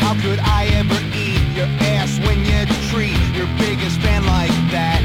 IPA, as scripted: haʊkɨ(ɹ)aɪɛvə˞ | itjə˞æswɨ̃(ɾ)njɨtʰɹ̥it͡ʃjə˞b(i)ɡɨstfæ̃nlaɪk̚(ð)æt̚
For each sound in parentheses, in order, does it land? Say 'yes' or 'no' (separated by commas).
no, no, no, yes